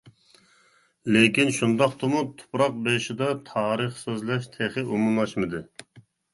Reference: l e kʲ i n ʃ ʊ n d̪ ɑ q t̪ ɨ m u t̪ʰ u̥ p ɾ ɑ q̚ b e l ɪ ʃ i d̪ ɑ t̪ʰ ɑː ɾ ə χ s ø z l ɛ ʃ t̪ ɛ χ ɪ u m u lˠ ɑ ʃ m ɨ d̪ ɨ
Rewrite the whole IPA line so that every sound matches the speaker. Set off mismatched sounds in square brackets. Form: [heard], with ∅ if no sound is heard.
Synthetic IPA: l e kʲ i n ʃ [u] n d̪ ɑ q t̪ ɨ m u t̪ʰ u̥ p ɾ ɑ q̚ b e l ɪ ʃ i d̪ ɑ t̪ʰ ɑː ɾ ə χ s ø z l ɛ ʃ [t̪ʰ] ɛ χ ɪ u m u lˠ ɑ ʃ m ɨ d̪ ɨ